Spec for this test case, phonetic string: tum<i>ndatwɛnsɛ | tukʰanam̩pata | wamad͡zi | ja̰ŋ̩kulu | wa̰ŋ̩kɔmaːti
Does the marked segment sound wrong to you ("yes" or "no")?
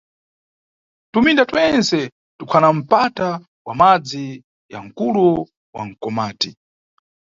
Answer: no